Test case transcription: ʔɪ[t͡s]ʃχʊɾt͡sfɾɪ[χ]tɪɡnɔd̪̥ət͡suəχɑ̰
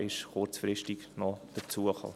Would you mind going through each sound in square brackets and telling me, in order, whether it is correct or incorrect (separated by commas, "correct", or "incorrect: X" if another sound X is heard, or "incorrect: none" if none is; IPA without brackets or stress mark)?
incorrect: none, incorrect: ʃ